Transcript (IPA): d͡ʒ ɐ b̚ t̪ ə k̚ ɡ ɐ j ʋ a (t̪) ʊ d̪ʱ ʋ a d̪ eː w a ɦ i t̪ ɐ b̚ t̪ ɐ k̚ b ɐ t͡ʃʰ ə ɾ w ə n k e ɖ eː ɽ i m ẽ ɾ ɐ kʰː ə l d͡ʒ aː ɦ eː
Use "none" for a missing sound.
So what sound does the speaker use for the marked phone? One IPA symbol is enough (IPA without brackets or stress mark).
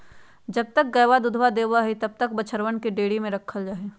d̪